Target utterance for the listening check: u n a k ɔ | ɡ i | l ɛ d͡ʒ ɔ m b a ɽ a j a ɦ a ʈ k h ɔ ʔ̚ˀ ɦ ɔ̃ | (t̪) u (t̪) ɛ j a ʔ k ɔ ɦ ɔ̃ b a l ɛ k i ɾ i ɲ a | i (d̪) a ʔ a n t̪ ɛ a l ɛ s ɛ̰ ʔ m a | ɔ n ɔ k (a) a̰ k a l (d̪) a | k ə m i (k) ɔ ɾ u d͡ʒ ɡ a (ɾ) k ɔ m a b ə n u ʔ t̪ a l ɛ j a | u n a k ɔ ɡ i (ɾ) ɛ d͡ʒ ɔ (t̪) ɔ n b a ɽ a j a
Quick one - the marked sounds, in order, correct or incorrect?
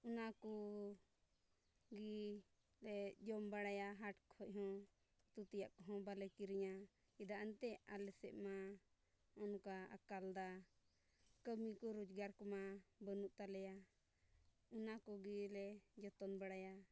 correct, correct, correct, correct, correct, correct, correct, incorrect, correct

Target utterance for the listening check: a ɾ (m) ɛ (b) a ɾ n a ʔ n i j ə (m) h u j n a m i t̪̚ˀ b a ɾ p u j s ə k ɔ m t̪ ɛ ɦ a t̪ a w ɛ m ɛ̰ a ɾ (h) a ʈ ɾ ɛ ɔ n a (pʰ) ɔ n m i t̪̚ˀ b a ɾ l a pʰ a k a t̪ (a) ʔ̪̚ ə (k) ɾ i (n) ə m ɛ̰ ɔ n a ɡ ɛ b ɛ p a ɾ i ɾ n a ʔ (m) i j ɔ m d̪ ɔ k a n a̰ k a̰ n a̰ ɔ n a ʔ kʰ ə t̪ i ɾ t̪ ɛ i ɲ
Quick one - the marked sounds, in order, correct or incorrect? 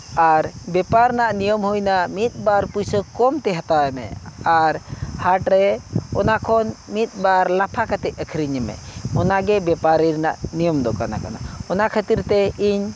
incorrect, incorrect, correct, correct, incorrect, incorrect, incorrect, incorrect, incorrect

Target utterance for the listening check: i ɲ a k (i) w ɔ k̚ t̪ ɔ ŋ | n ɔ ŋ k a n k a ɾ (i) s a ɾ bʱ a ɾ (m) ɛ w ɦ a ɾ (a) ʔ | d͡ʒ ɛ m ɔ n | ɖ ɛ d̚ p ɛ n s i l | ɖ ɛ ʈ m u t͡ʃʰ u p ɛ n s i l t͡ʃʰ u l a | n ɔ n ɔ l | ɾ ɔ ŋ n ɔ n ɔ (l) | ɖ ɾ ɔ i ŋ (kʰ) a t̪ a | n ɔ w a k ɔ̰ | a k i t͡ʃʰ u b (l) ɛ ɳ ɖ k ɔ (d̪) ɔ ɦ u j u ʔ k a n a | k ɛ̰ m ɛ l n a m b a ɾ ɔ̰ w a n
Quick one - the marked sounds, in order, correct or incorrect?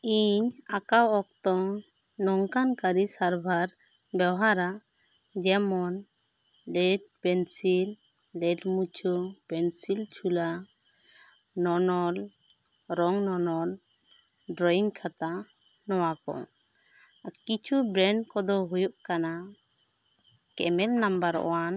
incorrect, correct, incorrect, correct, correct, correct, incorrect, correct

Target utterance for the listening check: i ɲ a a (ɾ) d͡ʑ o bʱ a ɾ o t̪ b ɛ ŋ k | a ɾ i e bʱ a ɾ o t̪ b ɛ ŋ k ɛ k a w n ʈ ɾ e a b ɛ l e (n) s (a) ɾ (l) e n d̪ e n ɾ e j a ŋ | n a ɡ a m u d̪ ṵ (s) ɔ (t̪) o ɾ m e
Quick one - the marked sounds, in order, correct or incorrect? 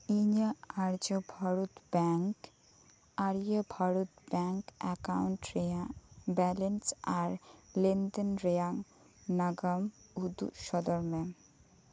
correct, correct, correct, correct, incorrect, incorrect

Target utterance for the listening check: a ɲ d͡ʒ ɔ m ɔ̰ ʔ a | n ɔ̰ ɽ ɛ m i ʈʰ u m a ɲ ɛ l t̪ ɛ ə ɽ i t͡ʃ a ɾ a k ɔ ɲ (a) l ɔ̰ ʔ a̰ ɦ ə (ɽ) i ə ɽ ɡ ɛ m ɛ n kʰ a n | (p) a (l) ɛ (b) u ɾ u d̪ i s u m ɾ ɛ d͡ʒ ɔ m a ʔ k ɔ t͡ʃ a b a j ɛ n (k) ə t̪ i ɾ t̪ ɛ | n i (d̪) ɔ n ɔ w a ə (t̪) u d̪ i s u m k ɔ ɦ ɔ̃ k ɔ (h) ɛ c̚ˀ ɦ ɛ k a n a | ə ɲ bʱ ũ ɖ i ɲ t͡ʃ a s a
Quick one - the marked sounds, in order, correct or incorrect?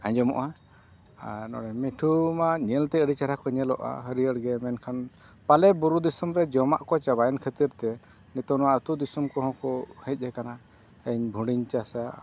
incorrect, incorrect, correct, correct, correct, incorrect, incorrect, correct, correct

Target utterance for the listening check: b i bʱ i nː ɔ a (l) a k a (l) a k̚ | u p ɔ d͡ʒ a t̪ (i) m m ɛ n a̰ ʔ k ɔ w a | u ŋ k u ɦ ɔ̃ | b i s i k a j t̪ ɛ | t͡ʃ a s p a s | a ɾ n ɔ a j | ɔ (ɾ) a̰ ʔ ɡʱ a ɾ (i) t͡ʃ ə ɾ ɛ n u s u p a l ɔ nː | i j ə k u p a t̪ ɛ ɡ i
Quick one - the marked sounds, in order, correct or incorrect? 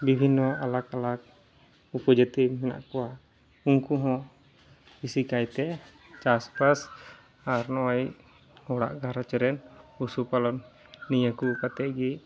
correct, correct, correct, incorrect, incorrect

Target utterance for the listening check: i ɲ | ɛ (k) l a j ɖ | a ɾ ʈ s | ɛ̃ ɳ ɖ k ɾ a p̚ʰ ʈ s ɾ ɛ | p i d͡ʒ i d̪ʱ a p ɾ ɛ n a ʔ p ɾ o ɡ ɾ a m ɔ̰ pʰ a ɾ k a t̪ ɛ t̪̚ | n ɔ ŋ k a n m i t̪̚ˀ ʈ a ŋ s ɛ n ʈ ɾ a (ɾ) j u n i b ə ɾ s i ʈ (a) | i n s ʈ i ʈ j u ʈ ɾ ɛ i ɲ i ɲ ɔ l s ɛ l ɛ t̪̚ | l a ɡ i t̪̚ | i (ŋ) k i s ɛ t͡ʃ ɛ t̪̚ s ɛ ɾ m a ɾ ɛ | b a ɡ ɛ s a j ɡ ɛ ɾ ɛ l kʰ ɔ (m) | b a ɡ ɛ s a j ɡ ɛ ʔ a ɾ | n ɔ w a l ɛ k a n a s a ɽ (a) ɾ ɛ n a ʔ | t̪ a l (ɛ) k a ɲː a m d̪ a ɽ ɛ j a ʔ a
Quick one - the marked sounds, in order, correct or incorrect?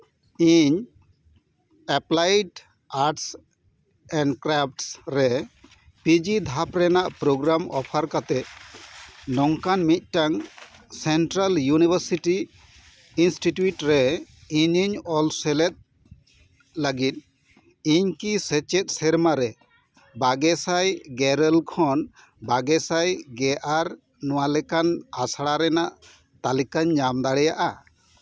incorrect, incorrect, incorrect, incorrect, incorrect, correct, incorrect

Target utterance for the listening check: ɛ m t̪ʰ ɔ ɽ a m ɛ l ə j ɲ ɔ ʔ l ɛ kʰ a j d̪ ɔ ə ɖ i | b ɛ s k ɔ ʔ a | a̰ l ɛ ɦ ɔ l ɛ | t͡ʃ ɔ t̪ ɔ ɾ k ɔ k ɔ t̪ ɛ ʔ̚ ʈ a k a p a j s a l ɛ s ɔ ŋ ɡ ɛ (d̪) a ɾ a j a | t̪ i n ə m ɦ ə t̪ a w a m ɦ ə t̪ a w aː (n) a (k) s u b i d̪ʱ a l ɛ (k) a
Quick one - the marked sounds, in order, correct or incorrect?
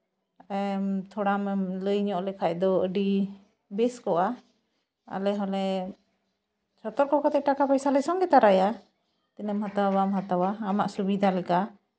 incorrect, incorrect, incorrect, correct

